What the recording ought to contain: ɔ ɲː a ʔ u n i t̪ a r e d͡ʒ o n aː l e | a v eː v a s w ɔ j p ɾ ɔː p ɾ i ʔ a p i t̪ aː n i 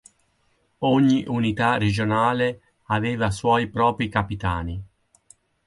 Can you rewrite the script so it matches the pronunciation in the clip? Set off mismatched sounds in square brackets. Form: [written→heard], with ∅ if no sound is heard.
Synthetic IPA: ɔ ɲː [a→i] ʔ u n i t̪ a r e d͡ʒ o n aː l e | a v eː v a s w ɔ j p ɾ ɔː p ɾ i [ʔ→k] a p i t̪ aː n i